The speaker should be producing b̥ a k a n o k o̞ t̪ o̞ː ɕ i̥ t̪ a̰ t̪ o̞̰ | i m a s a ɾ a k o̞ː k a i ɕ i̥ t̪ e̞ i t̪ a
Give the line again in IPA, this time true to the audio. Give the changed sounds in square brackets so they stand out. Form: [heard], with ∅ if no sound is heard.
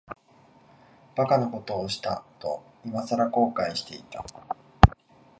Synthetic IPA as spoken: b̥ a k a n o k o̞ t̪ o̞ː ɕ i̥ t̪ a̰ t̪ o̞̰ | i m a s a ɾ a k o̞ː k a i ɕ i̥ t̪ e̞ i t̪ a